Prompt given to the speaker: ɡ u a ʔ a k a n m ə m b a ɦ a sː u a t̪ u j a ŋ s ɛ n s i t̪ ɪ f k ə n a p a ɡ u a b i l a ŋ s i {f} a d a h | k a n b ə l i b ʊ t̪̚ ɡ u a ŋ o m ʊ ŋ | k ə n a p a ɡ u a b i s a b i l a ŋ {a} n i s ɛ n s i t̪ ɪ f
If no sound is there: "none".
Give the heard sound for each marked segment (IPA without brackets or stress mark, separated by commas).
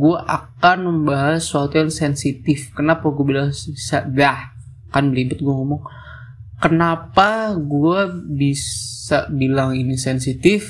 s, i